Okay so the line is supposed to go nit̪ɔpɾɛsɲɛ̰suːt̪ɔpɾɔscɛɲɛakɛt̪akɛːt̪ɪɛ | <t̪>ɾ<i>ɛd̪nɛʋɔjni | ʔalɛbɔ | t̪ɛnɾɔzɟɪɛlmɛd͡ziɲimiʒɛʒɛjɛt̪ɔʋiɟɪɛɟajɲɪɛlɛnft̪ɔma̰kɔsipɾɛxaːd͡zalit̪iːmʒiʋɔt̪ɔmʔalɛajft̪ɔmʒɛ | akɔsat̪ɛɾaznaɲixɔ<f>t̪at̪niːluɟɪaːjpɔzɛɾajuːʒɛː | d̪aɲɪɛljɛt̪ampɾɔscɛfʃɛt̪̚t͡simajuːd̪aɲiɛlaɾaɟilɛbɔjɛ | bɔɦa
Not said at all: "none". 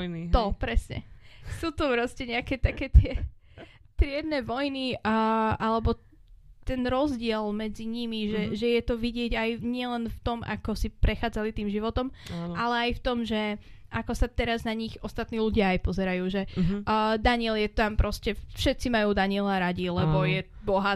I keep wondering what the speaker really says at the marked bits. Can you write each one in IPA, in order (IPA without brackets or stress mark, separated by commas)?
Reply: t̪, ɪ, s